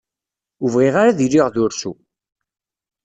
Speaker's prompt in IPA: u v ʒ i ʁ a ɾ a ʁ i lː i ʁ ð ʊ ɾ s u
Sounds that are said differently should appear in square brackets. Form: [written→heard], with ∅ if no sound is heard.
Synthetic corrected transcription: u v [ʒ→ʁ] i ʁ a ɾ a [ʁ→ð] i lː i ʁ ð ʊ ɾ s u